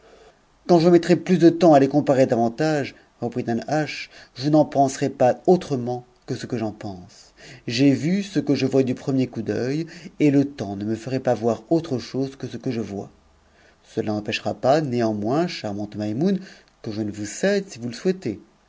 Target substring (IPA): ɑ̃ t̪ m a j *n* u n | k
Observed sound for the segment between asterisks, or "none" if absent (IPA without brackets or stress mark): m